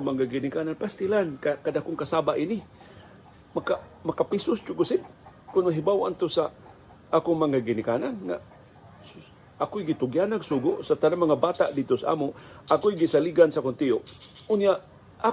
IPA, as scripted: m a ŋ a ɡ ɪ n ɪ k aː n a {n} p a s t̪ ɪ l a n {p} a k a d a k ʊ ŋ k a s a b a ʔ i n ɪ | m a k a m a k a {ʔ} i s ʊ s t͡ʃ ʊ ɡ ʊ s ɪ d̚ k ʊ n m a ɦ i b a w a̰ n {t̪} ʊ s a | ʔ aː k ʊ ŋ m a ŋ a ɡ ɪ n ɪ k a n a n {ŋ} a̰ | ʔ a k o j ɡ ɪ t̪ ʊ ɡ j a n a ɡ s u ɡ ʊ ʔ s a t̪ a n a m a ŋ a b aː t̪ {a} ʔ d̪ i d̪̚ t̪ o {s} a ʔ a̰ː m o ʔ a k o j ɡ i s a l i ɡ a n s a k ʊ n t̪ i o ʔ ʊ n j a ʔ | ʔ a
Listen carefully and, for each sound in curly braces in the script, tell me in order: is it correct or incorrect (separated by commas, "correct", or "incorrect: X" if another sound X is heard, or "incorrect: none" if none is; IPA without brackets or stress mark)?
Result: correct, incorrect: k, incorrect: p, correct, correct, correct, correct